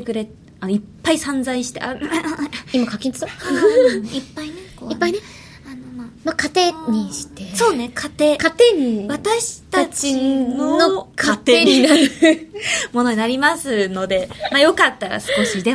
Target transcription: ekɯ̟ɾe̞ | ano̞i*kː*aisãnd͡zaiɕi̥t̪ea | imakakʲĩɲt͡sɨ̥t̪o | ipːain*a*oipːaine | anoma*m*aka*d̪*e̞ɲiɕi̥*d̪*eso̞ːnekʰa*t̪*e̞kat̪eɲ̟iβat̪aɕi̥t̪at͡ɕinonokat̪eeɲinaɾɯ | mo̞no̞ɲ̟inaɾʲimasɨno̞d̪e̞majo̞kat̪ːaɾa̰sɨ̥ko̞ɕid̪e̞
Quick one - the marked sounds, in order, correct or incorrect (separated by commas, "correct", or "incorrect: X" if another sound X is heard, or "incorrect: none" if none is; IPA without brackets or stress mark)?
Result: incorrect: pː, incorrect: e, correct, incorrect: t̪, incorrect: t̪, correct